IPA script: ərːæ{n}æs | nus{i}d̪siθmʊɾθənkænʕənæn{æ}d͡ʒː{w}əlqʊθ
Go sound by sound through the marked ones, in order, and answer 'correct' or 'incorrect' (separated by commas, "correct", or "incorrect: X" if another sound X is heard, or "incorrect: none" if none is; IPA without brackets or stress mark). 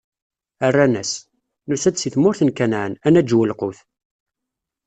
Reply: correct, incorrect: æ, correct, correct